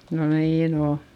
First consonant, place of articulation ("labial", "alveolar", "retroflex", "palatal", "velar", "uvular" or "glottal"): alveolar